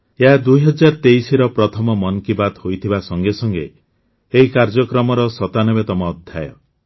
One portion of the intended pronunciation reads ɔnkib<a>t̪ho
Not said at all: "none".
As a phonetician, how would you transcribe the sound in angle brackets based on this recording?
a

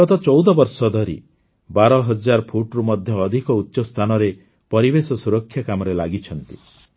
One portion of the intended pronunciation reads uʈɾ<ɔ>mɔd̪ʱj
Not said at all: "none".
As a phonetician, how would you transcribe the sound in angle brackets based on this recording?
u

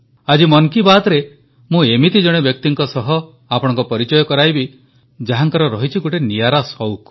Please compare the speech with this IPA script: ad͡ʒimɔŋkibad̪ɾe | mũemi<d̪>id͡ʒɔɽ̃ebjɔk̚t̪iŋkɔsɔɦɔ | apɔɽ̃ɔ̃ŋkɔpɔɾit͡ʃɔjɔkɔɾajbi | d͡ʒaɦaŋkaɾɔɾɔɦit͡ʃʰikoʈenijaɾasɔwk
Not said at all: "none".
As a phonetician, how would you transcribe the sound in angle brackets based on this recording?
t̪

